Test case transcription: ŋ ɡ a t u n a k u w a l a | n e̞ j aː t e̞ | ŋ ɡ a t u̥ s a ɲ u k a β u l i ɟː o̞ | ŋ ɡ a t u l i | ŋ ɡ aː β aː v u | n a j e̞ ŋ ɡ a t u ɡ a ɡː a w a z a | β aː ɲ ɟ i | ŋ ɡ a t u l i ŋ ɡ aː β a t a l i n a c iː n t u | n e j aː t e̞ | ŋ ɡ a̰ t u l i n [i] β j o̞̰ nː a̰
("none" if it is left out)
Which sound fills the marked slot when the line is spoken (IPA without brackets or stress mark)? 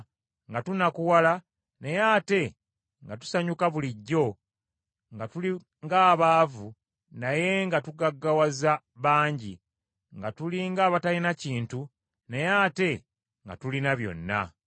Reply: a